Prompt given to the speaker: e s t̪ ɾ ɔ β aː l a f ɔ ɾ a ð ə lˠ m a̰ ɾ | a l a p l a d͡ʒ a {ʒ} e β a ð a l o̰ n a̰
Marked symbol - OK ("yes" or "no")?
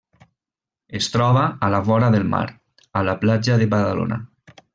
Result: no